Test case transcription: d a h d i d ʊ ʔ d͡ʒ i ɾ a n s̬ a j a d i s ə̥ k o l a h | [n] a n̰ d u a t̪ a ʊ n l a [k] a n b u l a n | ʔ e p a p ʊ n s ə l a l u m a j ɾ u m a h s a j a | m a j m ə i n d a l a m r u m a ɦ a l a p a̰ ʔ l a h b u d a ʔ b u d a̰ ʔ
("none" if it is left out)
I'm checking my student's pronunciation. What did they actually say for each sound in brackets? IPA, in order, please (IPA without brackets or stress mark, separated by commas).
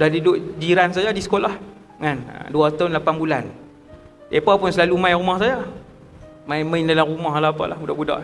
ŋ, p